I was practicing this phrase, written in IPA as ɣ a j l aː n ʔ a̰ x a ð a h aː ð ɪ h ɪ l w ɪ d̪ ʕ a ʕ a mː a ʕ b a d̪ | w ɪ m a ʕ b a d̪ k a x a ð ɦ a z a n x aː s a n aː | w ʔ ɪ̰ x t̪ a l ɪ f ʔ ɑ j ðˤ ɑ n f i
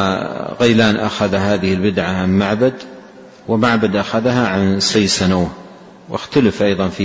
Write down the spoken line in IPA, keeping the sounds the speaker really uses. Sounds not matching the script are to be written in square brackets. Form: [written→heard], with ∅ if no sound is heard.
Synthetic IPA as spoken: ɣ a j l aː n ʔ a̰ x a ð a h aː ð ɪ h ɪ l [w→b] ɪ d̪ ʕ a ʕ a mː a ʕ b a d̪ | w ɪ m a ʕ b a d̪ [k→ʔ] a x a ð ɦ a [z→ʕ] a n [x→s] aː s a n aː | w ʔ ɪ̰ x t̪ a l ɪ f ʔ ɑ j ðˤ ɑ n f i